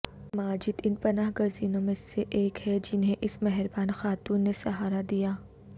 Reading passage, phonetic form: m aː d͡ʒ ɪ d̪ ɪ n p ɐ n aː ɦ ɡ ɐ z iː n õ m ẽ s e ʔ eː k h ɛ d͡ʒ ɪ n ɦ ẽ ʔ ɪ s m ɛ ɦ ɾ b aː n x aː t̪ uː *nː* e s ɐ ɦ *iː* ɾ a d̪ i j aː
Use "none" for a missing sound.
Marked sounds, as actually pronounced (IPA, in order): nː, aː

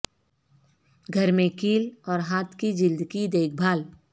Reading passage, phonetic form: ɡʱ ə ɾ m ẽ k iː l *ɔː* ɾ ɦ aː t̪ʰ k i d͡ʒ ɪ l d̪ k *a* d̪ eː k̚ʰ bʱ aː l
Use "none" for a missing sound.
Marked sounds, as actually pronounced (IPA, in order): ɔː, i

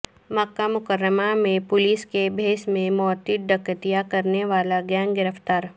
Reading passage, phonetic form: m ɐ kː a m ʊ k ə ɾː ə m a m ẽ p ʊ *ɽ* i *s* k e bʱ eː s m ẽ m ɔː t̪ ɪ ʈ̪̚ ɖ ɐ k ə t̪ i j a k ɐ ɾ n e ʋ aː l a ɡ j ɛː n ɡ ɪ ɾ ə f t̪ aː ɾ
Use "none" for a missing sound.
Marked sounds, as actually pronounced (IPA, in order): l, s

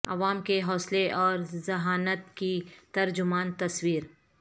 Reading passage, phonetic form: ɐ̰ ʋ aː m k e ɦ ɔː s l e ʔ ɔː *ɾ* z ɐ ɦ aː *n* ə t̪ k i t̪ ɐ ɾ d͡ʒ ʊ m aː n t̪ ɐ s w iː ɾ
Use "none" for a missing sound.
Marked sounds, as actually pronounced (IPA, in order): ɾ, n

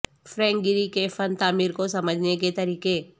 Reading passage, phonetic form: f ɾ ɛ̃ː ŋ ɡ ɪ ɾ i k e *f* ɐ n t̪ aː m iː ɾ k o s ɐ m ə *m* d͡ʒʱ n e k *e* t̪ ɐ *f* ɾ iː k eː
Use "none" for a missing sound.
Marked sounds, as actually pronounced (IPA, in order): f, none, e, none

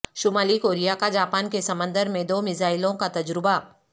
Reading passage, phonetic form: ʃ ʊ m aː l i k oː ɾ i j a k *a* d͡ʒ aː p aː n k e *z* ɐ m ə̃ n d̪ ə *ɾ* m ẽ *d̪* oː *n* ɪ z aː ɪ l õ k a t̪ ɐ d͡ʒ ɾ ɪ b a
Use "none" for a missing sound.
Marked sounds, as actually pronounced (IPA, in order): a, s, ɾ, d̪, m

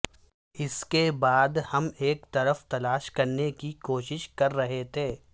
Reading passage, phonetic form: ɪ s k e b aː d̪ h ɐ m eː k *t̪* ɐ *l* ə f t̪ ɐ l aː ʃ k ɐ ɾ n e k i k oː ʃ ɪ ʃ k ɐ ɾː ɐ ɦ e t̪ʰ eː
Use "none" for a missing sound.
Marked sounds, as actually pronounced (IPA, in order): t̪, ɾ

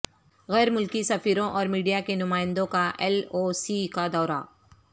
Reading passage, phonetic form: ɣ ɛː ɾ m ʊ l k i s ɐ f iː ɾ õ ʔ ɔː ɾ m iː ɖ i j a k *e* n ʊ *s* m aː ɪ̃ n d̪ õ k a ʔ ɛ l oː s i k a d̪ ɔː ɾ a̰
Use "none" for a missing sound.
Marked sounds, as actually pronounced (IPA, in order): e, none

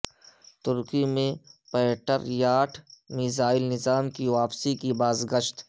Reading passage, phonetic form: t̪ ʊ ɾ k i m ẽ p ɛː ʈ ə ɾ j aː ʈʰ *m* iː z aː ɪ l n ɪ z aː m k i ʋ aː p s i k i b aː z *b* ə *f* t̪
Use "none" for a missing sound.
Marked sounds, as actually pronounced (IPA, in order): m, ɡ, ʃ

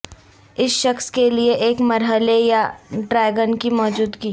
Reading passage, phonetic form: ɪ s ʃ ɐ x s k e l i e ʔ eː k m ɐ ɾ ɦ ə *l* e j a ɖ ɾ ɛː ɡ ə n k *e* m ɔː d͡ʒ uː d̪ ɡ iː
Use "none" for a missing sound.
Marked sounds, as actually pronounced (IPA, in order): l, i

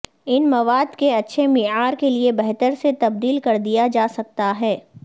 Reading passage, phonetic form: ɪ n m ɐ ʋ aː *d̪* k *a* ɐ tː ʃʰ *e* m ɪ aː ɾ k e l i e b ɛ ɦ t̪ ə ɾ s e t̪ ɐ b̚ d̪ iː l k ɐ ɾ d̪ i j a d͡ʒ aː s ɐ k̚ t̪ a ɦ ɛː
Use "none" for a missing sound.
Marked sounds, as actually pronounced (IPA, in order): d̪, e, e

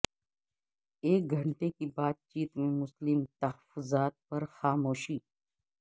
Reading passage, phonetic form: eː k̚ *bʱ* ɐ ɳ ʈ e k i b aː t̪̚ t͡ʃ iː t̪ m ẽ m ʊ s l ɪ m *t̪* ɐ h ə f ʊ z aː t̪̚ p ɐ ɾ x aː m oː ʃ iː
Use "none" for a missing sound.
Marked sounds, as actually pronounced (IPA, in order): ɡʱ, t̪

